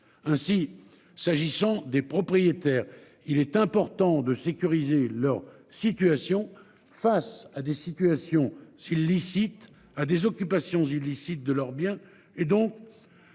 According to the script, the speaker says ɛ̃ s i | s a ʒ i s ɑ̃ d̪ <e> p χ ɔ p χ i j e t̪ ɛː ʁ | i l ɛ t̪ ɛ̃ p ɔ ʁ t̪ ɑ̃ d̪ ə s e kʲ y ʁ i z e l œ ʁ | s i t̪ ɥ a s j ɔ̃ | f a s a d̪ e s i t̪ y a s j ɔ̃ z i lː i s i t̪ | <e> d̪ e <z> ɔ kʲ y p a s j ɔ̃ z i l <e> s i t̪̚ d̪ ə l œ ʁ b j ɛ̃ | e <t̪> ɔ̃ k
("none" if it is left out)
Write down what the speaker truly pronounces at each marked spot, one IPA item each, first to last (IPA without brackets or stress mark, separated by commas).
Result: e, a, z, i, d̪